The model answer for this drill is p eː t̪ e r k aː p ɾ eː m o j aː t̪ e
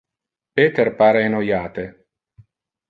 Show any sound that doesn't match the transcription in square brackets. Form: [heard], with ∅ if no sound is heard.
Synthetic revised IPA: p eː t̪ e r [p] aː [∅] ɾ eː [n] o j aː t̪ e